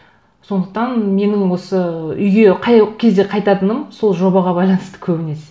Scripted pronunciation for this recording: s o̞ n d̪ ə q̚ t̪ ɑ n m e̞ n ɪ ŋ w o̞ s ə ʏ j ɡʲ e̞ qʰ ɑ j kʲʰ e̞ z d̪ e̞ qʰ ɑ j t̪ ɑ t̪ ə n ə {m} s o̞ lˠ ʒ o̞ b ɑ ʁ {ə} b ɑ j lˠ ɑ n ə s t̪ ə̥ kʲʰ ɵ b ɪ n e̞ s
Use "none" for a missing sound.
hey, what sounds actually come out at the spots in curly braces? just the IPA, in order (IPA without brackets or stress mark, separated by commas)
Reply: m, ɑ